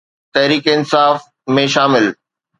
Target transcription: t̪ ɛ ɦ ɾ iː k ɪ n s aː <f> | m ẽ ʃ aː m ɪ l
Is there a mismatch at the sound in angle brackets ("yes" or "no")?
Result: no